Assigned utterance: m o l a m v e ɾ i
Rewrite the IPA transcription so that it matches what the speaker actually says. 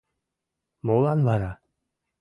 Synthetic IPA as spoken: m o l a n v a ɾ a